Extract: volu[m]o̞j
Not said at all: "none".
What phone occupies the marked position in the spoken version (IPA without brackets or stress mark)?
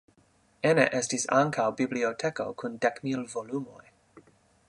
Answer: m